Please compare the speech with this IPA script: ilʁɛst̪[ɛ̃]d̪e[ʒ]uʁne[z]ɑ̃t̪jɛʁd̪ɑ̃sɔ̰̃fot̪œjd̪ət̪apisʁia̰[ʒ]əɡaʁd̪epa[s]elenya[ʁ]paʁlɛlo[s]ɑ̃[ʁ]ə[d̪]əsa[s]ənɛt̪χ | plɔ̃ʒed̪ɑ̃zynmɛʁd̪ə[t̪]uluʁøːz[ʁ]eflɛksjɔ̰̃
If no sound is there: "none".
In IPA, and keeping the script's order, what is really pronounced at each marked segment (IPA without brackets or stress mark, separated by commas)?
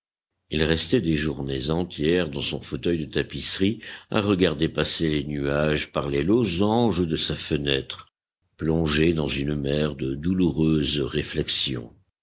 ɛ, ʒ, z, ʁ, s, ʒ, z, ʒ, d̪, f, d̪, ʁ